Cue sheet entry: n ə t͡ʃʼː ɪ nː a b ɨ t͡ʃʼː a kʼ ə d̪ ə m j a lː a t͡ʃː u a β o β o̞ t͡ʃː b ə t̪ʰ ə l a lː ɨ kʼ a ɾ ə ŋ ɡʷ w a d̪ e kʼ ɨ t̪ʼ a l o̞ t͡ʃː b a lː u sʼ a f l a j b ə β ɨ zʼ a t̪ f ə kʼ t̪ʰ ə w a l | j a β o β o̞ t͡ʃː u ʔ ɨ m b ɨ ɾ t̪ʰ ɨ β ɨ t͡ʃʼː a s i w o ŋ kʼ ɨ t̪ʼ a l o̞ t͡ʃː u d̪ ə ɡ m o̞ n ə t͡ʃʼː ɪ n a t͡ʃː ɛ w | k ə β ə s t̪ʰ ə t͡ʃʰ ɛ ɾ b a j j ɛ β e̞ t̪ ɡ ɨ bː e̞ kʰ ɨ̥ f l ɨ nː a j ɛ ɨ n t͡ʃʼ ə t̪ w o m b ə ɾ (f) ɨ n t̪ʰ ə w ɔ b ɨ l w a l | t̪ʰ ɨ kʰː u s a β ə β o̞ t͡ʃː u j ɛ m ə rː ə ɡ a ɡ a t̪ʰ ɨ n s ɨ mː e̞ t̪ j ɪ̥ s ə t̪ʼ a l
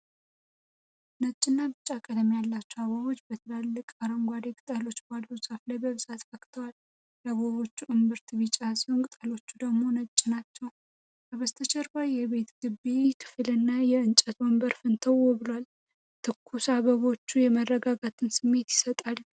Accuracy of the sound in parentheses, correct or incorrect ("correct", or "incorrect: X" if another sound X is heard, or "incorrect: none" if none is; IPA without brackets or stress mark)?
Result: correct